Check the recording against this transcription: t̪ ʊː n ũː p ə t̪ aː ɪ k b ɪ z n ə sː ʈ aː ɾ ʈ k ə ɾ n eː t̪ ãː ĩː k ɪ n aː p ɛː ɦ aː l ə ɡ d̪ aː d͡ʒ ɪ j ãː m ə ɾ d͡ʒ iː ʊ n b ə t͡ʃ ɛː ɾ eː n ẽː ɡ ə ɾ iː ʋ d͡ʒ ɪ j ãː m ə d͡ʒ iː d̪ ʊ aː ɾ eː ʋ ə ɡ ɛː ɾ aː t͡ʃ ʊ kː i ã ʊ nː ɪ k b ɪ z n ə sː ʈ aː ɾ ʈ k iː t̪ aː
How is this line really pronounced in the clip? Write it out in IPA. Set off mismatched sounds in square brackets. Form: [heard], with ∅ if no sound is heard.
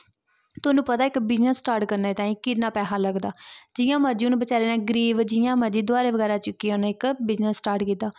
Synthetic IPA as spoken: t̪ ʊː n ũː p ə t̪ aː ɪ k b ɪ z n ə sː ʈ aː ɾ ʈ k ə ɾ n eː t̪ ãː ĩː k ɪ n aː p ɛː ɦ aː l ə ɡ d̪ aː d͡ʒ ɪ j ãː m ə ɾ d͡ʒ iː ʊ n b ə t͡ʃ [aː] ɾ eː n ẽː ɡ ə ɾ iː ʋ d͡ʒ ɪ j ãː m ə d͡ʒ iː d̪ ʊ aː ɾ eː ʋ ə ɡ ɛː ɾ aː t͡ʃ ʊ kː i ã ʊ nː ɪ k b ɪ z n ə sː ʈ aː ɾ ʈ k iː t̪ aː